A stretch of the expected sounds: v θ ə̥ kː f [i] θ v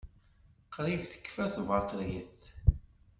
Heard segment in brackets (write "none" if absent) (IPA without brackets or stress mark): æ